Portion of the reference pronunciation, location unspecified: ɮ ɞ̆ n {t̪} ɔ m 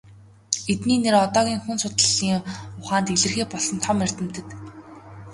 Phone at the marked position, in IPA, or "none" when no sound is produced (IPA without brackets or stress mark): t̪ʰ